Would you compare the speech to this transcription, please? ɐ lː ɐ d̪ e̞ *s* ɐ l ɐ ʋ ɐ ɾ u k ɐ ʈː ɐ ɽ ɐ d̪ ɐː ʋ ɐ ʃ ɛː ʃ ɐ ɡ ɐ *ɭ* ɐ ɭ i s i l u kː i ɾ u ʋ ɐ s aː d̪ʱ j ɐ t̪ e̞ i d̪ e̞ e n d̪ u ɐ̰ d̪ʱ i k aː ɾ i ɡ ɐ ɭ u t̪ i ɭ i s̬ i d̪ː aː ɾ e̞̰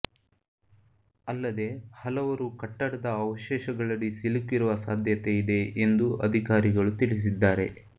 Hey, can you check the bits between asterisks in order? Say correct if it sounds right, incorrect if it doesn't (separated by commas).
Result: incorrect, correct